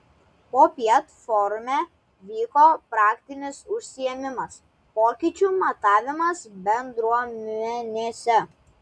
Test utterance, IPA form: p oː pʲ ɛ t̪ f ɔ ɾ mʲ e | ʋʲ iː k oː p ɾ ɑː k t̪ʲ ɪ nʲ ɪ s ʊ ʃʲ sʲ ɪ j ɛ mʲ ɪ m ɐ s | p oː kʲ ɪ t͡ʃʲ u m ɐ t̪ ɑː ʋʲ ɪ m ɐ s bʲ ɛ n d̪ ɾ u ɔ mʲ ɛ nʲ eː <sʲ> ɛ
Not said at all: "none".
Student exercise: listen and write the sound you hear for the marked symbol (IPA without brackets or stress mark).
sʲ